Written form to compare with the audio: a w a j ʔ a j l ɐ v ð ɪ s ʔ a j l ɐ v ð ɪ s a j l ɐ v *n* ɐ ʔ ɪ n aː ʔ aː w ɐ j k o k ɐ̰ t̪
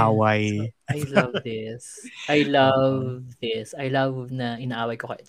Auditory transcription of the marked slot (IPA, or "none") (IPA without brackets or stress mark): n